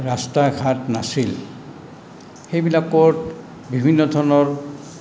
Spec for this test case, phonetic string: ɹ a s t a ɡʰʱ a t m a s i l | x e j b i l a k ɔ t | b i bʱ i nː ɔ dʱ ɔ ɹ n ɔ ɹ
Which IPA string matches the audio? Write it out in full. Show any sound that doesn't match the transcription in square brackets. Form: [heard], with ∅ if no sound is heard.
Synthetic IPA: ɹ a s t a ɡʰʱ a t [n] a s i l | x e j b i l a k ɔ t | b i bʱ i nː ɔ dʱ ɔ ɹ n ɔ ɹ